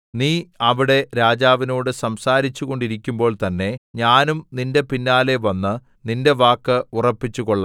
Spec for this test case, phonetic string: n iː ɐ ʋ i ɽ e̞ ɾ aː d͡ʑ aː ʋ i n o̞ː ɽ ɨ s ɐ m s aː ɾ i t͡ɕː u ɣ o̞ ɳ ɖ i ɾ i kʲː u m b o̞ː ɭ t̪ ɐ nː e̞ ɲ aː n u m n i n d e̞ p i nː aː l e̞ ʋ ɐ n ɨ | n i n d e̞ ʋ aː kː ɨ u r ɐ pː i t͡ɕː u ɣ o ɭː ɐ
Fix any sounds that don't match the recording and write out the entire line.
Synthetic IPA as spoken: n iː ɐ ʋ i ɽ e̞ ɾ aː d͡ʑ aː ʋ i n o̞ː ɽ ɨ s ɐ m s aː ɾ i t͡ɕː u ɣ o̞ ɳ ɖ i ɾ i kʲː u m b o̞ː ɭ t̪ ɐ nː e̞ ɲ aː n u m n i n d e̞ p i nː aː l e̞ ʋ ɐ nː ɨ | n i n d e̞ ʋ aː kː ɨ u r ɐ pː i t͡ɕː u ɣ o ɭː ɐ

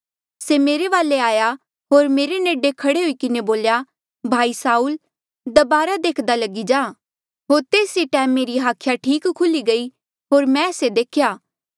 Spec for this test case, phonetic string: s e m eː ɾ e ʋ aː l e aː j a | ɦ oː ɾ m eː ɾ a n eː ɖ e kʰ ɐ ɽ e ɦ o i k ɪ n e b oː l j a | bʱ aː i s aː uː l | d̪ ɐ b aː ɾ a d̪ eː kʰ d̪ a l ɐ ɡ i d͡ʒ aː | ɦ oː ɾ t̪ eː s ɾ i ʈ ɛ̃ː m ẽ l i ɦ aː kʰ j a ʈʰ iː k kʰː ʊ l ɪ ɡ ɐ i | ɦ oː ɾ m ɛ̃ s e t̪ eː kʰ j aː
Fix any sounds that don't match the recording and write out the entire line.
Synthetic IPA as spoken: s e m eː ɾ e ʋ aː l e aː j a | ɦ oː ɾ m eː ɾ e n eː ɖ e kʰ ɐ ɽ e ɦ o i k ɪ n e b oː l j a | bʱ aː i s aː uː l | d̪ ɐ b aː ɾ a d̪ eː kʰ d̪ a l ɐ ɡ i d͡ʒ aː | ɦ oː ɾ t̪ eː s ɾ i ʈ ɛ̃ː m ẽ ɾ i ɦ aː kʰ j a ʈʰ iː k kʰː ʊ l i ɡ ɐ i | ɦ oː ɾ m ɛ̃ s e d̪ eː kʰ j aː

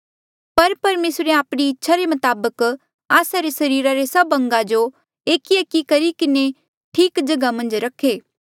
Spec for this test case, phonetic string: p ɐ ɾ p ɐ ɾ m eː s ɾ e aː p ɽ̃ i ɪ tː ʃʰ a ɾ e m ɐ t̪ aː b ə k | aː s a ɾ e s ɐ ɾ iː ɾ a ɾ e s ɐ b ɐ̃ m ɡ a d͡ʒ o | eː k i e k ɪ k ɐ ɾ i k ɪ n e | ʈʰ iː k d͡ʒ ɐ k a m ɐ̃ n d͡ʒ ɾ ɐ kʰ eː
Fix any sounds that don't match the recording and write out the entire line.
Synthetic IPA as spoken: p ɐ ɾ p ɐ ɾ m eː s ɾ e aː p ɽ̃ i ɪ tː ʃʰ a ɾ e m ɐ t̪ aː b ə k | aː s a ɾ e s ɐ ɾ iː ɾ a ɾ e s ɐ b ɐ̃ ŋ ɡ a d͡ʒ o | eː k i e k i k ɐ ɾ i k ɪ n e | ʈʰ iː k d͡ʒ ɐ ɡ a m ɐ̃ n d͡ʒ ɾ ɐ kʰ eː

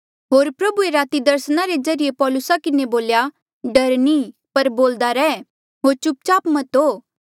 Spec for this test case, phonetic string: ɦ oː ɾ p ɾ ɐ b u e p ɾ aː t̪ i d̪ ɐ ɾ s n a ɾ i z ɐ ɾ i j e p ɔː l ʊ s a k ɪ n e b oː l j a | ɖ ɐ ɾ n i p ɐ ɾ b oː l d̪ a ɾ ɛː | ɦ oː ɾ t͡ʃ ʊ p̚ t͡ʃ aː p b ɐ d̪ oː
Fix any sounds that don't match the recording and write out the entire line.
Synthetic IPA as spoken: ɦ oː ɾ p ɾ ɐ b u e ɾ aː t̪ i d̪ ɐ ɾ s n a ɾ e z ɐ ɾ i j e p ɔː l ʊ s a k ɪ n e b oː l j a | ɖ ɐ ɾ n i p ɐ ɾ b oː l d̪ a ɾ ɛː | ɦ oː ɾ t͡ʃ ʊ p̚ t͡ʃ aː p m ɐ t̪ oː

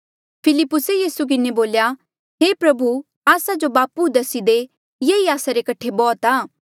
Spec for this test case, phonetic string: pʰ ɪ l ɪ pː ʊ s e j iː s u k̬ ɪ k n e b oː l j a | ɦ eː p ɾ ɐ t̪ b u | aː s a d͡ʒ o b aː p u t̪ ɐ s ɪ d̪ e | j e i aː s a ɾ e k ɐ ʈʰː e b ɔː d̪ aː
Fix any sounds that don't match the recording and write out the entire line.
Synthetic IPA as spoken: pʰ ɪ l ɪ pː ʊ s e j iː s u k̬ ɪ n e b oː l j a | ɦ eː p ɾ ɐ b u | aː s a d͡ʒ o b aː p u d̪ ɐ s i d̪ e | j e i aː s a ɾ e k ɐ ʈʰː e b ɔː t̪ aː

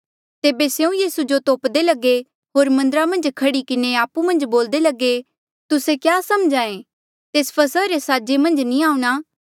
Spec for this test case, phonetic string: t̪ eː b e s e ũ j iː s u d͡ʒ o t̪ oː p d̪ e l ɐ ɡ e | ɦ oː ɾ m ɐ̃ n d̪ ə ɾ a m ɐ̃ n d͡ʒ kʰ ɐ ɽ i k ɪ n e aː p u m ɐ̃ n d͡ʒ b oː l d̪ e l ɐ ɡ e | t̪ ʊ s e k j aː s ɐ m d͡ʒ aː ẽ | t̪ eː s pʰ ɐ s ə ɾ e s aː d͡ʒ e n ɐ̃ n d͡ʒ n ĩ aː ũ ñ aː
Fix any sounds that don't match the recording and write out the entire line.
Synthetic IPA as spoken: t̪ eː b e s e ũ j iː s u d͡ʒ o t̪ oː p d̪ e l ɐ ɡ e | ɦ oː ɾ m ɐ̃ n d̪ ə ɾ a m ɐ̃ n d͡ʒ kʰ ɐ ɽ i k ɪ n e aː p u m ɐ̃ n d͡ʒ b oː l d̪ e l ɐ ɡ e | t̪ ʊ s e k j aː s ɐ m d͡ʒ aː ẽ | t̪ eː s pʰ ɐ s ə ɾ e s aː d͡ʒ e m ɐ̃ n d͡ʒ n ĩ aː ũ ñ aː

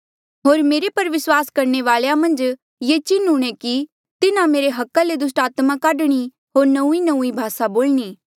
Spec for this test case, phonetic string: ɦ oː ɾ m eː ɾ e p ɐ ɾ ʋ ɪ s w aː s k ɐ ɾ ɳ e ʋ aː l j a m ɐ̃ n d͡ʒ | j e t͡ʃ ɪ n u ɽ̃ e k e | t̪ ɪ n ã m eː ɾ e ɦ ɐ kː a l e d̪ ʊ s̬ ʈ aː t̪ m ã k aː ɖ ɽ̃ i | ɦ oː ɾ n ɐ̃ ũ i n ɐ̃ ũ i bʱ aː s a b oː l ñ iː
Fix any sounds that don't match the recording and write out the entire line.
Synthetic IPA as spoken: ɦ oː ɾ m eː ɾ e p ɐ ɾ ʋ ɪ s w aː s k ɐ ɾ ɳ e ʋ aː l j a m ɐ̃ n d͡ʒ | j e t͡ʃ ɪ n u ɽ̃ e k i | t̪ ɪ n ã m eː ɾ e ɦ ɐ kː a l e d̪ ʊ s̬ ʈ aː t̪ m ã k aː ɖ ɽ̃ i | ɦ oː ɾ n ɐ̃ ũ i n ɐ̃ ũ i bʱ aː s a b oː l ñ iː

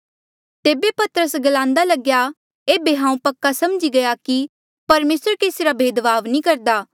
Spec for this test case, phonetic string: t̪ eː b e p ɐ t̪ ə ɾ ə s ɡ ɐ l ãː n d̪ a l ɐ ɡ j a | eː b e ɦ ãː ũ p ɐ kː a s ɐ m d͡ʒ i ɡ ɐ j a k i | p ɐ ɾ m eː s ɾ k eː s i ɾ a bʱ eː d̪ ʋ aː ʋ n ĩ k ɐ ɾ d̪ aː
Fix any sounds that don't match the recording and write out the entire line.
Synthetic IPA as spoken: t̪ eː b e p ɐ t̪ ə ɾ ə s ɡ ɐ l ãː n d̪ a l ɐ ɡ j a | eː b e ɦ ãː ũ p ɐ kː a s ɐ m d͡ʒ i ɡ ɐ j a k i | p ɐ ɾ m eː s ɾ k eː s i ɾ a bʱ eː d̪ ʋ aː ʋ n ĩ k ɐ ɾ d̪ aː

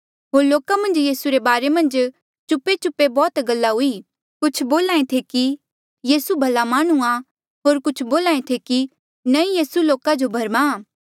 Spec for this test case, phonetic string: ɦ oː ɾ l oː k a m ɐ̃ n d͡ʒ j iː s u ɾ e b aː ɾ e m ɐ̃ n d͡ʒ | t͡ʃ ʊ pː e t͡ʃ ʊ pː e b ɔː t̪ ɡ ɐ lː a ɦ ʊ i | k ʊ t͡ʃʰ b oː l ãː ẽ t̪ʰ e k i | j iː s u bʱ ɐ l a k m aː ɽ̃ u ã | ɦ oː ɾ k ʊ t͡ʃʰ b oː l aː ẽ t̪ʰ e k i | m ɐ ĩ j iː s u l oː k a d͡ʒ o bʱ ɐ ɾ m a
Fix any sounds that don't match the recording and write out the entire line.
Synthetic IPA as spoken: ɦ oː ɾ l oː k a m ɐ̃ n d͡ʒ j iː s u ɾ e b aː ɾ e m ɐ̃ n d͡ʒ | t͡ʃ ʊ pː e t͡ʃ ʊ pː e b ɔː t̪ ɡ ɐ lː a ɦ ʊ i | k ʊ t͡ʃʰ b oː l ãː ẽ t̪ʰ e k i | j iː s u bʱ ɐ l a m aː ɽ̃ u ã | ɦ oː ɾ k ʊ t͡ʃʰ b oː l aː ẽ t̪ʰ e k i | n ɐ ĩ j iː s u l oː k a d͡ʒ o bʱ ɐ ɾ m a

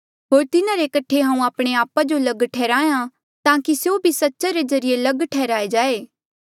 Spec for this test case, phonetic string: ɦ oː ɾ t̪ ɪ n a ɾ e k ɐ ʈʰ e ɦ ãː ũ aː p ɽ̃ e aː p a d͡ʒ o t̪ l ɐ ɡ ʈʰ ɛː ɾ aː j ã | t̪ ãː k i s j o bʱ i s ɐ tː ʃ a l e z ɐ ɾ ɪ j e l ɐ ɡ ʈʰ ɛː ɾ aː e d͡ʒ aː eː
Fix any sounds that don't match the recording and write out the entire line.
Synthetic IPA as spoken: ɦ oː ɾ t̪ ɪ n a ɾ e k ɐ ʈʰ e ɦ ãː ũ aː p ɽ̃ e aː p a d͡ʒ o l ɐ ɡ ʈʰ ɛː ɾ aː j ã | t̪ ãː k i s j o bʱ i s ɐ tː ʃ a ɾ e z ɐ ɾ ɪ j e l ɐ ɡ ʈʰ ɛː ɾ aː e d͡ʒ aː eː

